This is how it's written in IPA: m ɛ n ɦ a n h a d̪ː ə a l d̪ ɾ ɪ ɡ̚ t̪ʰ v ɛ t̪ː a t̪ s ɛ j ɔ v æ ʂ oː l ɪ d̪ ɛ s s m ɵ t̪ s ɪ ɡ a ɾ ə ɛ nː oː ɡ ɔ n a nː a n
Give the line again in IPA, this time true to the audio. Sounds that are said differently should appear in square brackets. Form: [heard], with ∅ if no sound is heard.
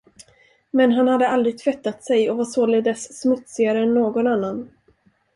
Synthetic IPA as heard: m ɛ n ɦ a n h a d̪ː ə a l d̪ ɾ ɪ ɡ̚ t̪ʰ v ɛ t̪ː a t̪ s ɛ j ɔ v [a] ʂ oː l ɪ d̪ ɛ s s m ɵ t̪ s ɪ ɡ a ɾ ə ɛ nː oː ɡ ɔ n a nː a n